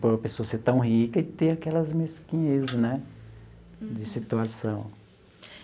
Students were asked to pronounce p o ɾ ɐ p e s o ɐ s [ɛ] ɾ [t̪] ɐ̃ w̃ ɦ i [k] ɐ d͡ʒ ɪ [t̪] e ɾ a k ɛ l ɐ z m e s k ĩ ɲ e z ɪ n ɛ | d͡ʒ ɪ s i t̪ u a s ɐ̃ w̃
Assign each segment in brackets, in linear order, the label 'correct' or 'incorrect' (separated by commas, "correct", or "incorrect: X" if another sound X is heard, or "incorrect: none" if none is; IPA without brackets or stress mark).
incorrect: e, correct, correct, correct